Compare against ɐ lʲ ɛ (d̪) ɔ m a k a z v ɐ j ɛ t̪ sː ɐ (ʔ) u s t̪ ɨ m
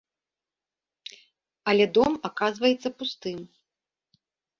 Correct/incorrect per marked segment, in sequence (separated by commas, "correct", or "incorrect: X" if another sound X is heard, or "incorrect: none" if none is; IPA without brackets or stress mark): correct, incorrect: p